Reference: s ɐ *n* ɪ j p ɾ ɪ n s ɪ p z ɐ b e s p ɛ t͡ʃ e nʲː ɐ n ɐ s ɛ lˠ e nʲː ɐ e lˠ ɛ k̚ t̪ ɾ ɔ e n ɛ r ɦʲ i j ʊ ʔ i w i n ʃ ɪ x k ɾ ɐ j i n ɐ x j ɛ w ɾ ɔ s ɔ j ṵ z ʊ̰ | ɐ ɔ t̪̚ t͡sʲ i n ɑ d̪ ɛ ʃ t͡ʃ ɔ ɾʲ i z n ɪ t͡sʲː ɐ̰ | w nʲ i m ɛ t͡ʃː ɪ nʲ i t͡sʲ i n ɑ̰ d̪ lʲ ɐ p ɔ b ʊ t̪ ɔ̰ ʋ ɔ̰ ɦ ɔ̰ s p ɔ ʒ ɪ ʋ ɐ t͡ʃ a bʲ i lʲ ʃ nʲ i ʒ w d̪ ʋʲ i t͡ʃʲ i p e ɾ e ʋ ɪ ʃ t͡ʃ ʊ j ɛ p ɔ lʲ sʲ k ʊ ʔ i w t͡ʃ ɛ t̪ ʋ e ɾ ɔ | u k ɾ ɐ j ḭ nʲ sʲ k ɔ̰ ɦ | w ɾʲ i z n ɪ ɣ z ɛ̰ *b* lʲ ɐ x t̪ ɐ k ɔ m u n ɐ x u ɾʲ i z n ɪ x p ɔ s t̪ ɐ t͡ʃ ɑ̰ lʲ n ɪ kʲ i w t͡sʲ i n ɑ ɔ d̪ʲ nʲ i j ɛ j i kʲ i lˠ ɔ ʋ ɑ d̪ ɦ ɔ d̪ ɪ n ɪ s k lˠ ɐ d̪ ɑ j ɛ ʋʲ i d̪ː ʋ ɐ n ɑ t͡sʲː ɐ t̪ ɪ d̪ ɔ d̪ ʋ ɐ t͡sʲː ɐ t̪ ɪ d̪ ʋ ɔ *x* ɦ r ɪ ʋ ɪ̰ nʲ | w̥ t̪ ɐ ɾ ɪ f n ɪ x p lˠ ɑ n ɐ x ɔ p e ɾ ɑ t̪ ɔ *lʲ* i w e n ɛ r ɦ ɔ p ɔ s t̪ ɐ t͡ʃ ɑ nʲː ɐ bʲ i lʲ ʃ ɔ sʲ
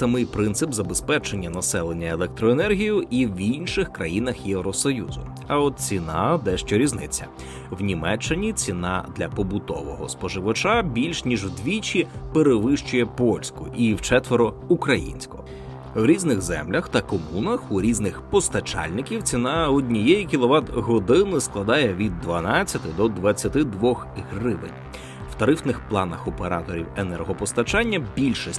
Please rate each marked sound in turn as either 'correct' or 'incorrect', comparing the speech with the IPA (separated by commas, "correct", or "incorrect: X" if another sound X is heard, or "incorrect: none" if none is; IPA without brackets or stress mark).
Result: incorrect: m, incorrect: m, correct, incorrect: ɾʲ